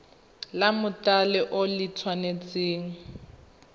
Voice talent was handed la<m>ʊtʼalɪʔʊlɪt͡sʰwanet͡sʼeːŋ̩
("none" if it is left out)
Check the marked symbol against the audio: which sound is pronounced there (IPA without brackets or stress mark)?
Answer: m